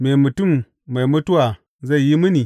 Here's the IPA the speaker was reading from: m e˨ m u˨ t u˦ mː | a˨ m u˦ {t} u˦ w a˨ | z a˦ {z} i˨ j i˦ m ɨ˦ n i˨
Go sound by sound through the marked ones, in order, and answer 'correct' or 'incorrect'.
correct, incorrect: none

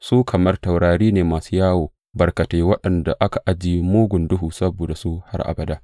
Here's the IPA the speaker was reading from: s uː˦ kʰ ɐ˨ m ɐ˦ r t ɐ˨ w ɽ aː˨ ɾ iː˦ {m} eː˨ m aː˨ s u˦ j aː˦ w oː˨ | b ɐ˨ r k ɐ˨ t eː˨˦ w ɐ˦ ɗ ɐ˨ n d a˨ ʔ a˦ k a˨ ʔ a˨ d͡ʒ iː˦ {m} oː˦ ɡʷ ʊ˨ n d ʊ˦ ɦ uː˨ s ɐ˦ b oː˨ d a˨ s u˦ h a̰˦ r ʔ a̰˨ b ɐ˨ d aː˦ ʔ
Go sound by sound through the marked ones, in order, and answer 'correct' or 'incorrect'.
incorrect: n, correct

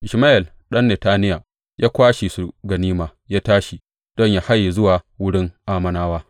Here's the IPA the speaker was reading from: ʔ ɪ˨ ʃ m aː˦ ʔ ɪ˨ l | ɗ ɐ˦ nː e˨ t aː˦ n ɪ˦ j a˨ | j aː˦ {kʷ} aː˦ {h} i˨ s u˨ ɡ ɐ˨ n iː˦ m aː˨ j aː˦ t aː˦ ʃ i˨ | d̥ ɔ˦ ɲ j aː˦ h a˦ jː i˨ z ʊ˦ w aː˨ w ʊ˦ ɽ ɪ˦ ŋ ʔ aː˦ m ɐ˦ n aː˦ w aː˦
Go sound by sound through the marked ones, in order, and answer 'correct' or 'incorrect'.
correct, incorrect: ʃ

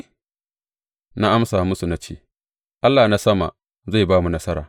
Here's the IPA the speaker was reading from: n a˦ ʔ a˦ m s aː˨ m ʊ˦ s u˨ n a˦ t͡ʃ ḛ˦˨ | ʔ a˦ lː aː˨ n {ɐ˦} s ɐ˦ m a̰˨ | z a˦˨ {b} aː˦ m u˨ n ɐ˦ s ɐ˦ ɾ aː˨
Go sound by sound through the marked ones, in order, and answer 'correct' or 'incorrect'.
incorrect: a˦, correct

